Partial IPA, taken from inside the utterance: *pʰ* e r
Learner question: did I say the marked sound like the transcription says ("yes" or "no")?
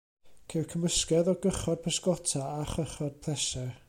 no